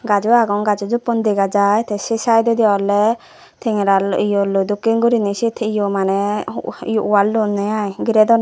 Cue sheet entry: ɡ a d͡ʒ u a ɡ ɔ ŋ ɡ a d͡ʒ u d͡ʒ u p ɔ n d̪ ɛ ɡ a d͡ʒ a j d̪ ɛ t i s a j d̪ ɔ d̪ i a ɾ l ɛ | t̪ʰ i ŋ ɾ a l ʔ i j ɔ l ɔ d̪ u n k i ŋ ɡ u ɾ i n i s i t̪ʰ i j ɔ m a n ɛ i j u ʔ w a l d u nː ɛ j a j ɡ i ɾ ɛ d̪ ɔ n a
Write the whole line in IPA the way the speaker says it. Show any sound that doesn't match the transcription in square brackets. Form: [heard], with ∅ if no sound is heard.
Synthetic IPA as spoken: ɡ a d͡ʒ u a ɡ ɔ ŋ ɡ a d͡ʒ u d͡ʒ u p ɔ n d̪ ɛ ɡ a d͡ʒ a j [t̪] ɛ [s] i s a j d̪ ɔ d̪ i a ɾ l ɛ | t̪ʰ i ŋ ɾ a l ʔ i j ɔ l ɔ d̪ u [∅] k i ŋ ɡ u ɾ i n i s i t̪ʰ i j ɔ m a n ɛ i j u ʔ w a l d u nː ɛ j a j ɡ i ɾ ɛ d̪ ɔ n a